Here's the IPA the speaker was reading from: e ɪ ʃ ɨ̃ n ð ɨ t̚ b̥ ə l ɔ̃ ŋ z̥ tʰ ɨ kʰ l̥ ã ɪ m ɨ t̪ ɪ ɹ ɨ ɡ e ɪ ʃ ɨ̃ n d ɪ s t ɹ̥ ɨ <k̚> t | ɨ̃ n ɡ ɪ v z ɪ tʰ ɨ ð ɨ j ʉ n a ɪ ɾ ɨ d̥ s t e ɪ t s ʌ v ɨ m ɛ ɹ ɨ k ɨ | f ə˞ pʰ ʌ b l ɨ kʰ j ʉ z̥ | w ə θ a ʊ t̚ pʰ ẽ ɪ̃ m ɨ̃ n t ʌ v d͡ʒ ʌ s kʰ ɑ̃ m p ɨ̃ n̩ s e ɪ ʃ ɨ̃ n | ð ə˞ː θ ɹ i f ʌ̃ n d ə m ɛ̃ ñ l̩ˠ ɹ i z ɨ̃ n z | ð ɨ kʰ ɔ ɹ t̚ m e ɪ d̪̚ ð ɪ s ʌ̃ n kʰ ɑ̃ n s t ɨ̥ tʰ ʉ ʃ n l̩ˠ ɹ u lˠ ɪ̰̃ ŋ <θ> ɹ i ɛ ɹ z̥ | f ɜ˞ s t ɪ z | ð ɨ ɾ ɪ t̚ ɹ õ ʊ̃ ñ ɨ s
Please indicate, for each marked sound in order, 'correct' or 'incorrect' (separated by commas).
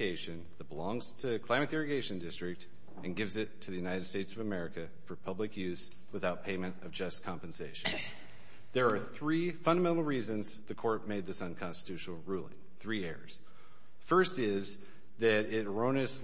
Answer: correct, correct